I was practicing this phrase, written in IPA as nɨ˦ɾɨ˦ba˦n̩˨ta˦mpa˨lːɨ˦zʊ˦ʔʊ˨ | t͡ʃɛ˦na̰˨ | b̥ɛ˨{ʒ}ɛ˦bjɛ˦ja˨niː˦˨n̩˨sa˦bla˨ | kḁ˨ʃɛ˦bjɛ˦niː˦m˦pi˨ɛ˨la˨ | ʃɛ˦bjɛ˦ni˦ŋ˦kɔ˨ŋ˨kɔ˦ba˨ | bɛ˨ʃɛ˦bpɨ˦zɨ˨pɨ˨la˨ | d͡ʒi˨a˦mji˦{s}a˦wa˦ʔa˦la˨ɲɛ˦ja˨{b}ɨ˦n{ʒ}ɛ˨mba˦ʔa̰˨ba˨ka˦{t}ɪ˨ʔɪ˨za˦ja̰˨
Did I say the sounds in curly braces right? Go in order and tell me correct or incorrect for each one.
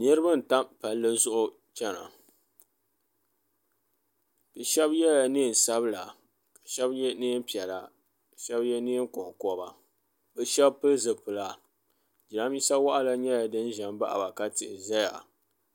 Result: incorrect: ʃ, correct, incorrect: d, correct, correct

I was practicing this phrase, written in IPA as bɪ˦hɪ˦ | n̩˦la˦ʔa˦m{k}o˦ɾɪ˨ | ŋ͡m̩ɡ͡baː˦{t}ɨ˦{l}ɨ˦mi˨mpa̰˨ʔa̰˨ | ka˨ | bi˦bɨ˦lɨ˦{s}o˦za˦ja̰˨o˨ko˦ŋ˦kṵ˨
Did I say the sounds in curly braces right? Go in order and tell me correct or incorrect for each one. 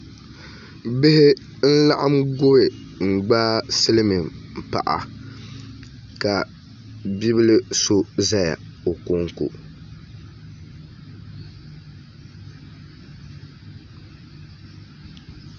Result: incorrect: ɡ, incorrect: s, correct, correct

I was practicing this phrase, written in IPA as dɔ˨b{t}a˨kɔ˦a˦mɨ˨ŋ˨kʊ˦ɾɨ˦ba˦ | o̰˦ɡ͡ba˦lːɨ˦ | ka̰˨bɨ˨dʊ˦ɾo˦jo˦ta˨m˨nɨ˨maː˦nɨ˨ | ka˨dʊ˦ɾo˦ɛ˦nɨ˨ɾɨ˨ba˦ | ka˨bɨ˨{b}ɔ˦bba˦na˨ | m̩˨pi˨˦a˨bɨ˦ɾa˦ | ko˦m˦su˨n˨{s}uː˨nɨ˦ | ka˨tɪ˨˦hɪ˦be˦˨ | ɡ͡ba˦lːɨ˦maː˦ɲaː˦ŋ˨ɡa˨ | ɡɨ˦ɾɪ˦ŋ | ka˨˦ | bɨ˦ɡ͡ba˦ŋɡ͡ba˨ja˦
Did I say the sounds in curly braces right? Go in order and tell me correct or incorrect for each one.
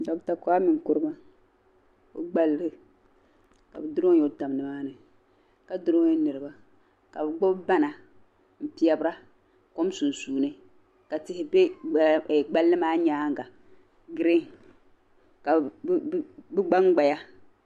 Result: correct, incorrect: ɡ͡b, correct

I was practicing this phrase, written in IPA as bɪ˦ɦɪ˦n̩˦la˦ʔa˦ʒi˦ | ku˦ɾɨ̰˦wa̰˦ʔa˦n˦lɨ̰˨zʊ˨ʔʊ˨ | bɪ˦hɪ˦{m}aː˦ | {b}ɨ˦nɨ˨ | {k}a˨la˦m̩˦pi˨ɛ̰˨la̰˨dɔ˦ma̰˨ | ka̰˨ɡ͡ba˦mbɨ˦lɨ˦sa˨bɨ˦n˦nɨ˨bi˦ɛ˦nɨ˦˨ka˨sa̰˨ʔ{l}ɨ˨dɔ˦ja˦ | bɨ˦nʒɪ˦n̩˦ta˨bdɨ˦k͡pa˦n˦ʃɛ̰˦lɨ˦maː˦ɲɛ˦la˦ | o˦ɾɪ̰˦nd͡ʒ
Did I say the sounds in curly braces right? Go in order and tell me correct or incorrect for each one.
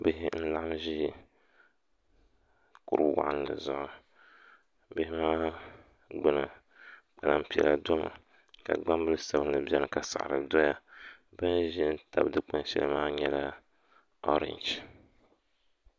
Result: correct, incorrect: ɡ͡b, incorrect: k͡p, incorrect: ɾ

